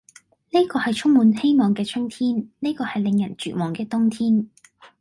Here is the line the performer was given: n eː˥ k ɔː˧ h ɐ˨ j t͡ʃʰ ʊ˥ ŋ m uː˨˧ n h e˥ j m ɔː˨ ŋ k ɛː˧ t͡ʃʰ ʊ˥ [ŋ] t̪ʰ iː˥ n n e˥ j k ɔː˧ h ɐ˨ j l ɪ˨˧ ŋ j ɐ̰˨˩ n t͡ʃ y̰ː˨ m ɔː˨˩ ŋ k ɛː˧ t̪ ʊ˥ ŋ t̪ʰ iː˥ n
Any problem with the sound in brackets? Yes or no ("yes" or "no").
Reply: no